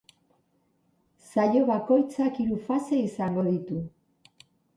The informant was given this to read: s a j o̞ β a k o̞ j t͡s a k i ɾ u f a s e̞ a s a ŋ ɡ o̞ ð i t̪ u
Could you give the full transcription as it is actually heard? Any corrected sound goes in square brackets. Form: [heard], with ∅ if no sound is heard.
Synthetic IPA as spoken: s a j o̞ β a k o̞ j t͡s a k i ɾ u f a s e̞ [i] s a ŋ ɡ o̞ ð i t̪ u